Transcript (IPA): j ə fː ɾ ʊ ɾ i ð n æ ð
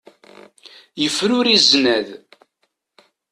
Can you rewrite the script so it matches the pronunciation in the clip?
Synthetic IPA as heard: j ə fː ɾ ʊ ɾ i z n æ ð